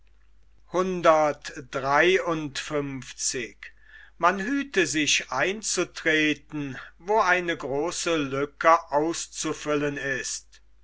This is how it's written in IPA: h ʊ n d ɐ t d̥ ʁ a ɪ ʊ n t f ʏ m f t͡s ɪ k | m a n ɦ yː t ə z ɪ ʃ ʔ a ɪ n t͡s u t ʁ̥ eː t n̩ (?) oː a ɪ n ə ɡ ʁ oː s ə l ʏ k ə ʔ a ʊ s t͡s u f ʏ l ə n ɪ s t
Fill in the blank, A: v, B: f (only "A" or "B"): A